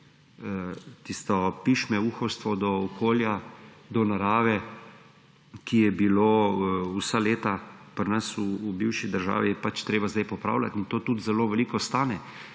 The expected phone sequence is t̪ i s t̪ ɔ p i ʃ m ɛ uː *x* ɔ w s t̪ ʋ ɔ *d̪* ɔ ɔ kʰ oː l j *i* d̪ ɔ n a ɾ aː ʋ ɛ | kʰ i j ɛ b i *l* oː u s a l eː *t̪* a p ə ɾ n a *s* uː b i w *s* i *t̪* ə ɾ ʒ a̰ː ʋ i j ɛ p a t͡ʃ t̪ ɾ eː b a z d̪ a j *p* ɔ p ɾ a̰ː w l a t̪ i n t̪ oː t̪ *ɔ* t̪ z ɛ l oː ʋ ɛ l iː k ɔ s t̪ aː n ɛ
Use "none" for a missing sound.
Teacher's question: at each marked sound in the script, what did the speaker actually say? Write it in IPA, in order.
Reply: x, d̪, a, l, t̪, s, ʃ, d̪, p, u

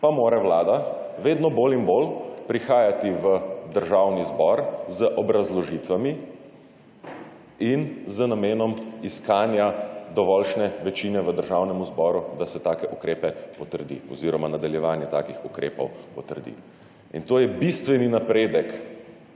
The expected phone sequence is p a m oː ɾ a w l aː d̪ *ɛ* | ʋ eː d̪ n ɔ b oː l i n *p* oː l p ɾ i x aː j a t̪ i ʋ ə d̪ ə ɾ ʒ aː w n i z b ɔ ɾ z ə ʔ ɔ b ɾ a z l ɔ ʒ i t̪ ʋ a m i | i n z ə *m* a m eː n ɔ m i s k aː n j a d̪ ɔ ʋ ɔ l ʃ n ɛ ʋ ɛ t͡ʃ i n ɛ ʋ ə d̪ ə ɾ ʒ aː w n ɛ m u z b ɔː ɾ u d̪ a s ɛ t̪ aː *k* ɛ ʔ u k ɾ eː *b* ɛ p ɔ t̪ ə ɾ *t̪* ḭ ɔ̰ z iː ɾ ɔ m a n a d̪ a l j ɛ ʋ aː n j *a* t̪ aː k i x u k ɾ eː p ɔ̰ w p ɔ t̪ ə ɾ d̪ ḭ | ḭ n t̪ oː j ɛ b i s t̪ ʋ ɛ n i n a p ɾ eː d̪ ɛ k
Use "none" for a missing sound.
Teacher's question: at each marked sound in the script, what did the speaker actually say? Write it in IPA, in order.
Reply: a, b, n, k, p, d̪, ɛ

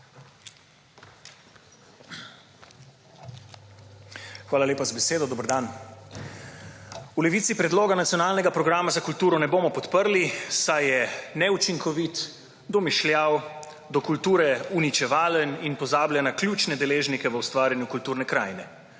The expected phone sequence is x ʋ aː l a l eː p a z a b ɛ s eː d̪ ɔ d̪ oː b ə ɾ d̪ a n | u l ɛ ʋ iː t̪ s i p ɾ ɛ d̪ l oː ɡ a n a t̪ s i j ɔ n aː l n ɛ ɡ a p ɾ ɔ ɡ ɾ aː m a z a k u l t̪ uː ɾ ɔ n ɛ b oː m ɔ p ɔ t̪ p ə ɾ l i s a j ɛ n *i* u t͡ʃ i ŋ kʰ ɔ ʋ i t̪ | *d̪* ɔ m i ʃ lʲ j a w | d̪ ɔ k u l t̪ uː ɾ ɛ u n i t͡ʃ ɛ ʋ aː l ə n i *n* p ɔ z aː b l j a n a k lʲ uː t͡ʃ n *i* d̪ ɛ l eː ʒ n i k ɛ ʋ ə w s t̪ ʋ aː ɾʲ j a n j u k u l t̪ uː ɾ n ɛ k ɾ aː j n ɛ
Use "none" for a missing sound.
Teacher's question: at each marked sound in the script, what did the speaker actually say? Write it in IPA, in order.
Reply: ɛ, d̪, n, ɛ

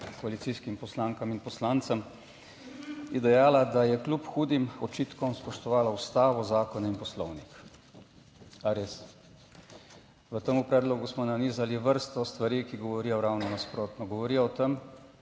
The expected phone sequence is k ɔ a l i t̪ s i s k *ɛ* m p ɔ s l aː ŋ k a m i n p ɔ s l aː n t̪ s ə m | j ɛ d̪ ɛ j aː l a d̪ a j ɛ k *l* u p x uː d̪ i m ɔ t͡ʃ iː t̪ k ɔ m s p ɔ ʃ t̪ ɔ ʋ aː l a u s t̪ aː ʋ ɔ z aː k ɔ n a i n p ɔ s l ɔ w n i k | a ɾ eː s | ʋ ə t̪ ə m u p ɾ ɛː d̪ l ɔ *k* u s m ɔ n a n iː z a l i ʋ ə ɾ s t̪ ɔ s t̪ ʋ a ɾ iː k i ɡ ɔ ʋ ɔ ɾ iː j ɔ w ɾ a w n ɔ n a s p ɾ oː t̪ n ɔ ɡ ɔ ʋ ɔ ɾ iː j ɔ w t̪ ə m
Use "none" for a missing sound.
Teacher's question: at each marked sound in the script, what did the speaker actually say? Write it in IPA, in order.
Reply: i, l, ɡ

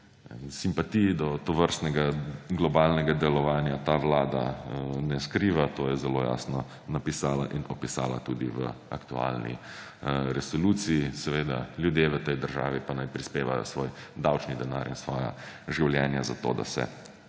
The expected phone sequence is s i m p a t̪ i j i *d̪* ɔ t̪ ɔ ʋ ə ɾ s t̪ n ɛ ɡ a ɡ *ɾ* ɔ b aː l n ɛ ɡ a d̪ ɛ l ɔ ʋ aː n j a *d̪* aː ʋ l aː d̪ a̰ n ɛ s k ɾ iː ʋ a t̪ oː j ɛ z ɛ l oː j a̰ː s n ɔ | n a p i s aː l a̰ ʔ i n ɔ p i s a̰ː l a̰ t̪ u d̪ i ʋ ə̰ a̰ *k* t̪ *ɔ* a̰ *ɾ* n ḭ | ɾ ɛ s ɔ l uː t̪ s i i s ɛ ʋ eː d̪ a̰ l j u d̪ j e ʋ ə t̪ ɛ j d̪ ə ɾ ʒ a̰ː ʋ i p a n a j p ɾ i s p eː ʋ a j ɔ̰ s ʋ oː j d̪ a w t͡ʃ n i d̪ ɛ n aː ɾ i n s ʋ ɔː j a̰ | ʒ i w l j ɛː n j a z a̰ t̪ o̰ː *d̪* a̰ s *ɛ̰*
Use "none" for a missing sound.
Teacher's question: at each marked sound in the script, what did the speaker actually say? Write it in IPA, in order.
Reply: d̪, l, t̪, k, u, l, d̪, ɛ̰

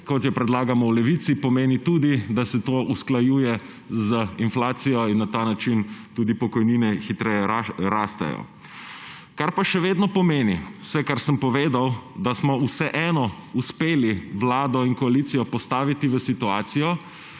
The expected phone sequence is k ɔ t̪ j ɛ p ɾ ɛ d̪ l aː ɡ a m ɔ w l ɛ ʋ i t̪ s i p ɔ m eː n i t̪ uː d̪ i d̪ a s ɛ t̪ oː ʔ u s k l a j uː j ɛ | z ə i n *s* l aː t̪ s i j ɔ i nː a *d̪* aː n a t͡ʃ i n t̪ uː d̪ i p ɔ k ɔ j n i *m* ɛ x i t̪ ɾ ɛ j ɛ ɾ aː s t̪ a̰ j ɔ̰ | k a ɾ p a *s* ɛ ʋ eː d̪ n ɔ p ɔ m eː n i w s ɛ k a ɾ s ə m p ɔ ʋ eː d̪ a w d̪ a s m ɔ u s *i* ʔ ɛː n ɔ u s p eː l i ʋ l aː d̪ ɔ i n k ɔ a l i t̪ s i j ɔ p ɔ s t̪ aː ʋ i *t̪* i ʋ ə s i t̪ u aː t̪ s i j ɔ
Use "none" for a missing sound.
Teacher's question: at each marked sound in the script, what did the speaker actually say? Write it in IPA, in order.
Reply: f, t̪, n, ʃ, ɛ, t̪

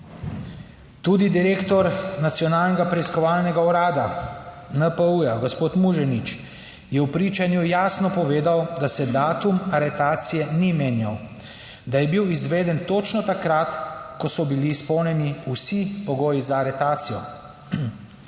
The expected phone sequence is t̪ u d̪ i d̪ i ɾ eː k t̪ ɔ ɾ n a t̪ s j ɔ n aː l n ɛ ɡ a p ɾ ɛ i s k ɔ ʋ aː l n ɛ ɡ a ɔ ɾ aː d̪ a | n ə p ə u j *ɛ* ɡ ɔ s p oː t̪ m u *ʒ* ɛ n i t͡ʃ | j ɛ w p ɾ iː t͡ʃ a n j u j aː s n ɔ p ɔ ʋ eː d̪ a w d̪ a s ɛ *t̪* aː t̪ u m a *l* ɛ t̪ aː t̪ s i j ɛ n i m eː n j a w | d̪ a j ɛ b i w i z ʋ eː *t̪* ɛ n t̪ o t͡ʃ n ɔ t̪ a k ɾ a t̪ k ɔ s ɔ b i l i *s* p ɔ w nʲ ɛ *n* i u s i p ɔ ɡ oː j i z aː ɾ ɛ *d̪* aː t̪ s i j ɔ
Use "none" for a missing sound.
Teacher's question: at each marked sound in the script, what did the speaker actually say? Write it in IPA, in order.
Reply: a, ʒ, d̪, ɾ, d̪, s, n, t̪

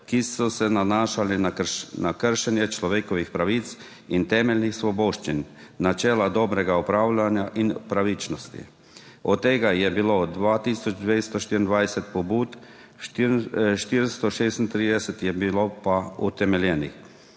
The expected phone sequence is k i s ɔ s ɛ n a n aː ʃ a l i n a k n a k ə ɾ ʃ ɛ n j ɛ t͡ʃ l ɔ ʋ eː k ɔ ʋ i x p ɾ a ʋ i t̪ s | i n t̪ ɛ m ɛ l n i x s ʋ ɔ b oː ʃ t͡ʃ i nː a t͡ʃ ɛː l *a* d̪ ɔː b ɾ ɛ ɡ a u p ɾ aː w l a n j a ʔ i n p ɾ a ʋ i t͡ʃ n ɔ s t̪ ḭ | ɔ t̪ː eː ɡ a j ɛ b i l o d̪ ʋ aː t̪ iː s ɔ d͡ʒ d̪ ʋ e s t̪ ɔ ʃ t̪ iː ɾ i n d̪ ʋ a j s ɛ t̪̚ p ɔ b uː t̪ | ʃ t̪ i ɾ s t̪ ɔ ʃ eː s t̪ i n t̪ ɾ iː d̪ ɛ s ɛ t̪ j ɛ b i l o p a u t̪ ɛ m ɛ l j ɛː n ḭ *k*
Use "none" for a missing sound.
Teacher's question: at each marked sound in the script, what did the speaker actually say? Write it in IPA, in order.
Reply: a, x

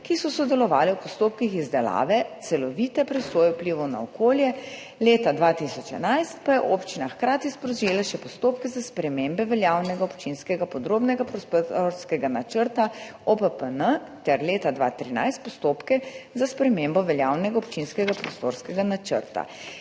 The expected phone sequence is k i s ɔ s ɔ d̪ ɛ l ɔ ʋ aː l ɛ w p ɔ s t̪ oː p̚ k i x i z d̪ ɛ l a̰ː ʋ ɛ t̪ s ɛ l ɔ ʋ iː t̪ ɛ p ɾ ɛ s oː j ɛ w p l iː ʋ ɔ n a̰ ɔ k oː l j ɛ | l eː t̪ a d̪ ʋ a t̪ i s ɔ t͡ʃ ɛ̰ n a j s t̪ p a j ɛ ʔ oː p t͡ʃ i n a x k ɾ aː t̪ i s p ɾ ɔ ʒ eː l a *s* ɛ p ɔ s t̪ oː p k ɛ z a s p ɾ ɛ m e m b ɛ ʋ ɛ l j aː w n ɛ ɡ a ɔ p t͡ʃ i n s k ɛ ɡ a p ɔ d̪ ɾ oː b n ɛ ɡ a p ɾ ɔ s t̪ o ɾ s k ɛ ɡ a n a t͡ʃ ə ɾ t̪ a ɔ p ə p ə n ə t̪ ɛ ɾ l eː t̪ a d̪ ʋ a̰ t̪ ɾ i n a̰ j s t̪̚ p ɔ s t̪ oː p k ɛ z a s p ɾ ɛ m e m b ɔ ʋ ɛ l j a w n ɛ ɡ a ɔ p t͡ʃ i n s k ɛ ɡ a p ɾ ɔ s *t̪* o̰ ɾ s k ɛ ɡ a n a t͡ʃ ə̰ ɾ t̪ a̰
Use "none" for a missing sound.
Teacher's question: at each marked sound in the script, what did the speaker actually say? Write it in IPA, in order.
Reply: ʃ, t̪

